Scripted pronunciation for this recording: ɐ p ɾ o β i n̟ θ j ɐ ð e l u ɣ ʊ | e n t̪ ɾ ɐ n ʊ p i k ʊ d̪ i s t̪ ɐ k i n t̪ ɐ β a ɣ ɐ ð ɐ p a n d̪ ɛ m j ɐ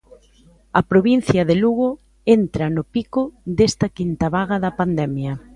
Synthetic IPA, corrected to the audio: ɐ p ɾ o β i n̟ θ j ɐ ð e l u ɣ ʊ | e n t̪ ɾ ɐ n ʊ p i k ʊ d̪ e s t̪ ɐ k i n t̪ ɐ β a ɣ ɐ ð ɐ p a n d̪ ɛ m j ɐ